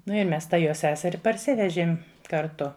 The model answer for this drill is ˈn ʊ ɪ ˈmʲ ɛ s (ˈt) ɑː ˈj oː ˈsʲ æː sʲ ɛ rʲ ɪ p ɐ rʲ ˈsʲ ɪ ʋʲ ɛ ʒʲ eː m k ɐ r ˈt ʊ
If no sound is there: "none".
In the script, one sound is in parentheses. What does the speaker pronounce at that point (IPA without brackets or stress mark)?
t